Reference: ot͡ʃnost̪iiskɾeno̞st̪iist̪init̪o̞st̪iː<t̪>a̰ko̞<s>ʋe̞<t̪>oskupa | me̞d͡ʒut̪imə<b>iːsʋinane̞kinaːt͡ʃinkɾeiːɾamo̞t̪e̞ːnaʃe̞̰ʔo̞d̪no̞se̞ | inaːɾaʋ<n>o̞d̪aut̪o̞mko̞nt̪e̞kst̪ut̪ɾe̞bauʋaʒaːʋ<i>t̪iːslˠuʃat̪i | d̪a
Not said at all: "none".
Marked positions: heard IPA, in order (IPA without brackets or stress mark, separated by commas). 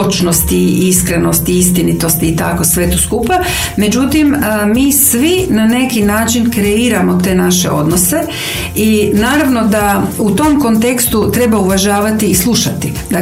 t̪, s, t̪, m, n, a